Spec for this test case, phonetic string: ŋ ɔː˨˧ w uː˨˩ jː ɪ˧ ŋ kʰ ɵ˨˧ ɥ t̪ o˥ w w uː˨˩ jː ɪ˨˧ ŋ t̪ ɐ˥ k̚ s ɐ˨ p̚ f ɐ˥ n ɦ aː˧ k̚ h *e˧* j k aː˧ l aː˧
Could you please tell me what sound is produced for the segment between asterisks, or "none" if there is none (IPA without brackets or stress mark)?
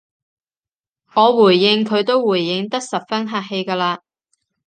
e˧